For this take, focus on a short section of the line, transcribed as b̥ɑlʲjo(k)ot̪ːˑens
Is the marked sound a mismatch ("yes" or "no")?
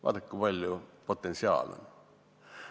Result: yes